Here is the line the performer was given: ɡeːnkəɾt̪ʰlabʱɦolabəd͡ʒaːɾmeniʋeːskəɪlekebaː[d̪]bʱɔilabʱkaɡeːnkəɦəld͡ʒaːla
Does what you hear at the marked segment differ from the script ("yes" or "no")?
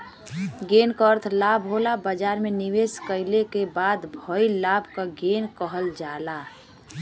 no